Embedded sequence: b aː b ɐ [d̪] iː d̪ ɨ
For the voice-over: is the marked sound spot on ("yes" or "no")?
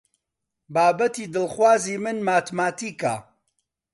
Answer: no